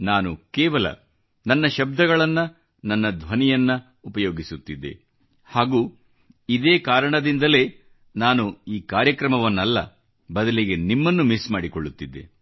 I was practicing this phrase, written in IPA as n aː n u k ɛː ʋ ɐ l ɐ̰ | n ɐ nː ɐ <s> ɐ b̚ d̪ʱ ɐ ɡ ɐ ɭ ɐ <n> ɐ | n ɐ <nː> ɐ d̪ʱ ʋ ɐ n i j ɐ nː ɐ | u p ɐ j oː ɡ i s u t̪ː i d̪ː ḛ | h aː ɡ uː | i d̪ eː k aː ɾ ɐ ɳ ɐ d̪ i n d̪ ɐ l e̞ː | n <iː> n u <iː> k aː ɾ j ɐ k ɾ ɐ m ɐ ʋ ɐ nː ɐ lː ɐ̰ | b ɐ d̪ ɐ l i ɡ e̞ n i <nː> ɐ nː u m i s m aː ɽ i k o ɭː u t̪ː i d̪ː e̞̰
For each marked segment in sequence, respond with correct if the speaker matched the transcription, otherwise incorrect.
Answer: incorrect: ʃ, incorrect: nː, correct, incorrect: aː, correct, incorrect: mː

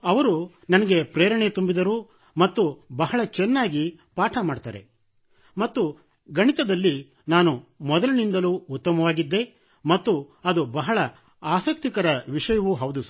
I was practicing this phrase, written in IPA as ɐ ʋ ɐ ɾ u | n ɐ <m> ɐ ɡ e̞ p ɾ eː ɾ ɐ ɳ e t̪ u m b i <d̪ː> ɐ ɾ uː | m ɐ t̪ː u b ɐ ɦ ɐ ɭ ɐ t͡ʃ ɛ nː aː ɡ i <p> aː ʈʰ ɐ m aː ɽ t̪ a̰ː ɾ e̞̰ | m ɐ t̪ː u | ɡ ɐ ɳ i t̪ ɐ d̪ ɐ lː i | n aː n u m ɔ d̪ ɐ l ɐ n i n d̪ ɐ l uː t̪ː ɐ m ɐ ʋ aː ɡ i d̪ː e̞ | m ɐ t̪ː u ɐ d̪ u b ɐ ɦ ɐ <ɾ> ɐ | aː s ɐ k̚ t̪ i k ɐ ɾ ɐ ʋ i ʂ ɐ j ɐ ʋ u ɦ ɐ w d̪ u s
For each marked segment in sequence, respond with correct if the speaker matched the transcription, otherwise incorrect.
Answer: incorrect: n, incorrect: d̪, correct, incorrect: ɭ

